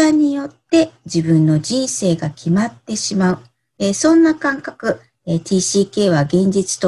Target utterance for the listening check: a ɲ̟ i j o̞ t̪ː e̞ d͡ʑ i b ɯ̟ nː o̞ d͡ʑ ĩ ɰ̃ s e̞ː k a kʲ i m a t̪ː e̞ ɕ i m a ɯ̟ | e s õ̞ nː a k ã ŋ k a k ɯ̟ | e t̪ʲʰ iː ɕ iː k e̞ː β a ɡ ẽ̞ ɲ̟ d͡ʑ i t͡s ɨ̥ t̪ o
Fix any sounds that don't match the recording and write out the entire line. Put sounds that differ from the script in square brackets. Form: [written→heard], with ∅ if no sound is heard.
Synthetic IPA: a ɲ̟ i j o̞ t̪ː e̞ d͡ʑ i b [ɯ̟→ɯ̟̃] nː o̞ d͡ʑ ĩ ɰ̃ s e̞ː [k→ɡ] a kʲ i m a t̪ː e̞ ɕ i m a ɯ̟ | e s õ̞ nː a k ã ŋ k a k ɯ̟ | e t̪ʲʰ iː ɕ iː k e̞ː β a ɡ ẽ̞ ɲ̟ d͡ʑ i t͡s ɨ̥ t̪ o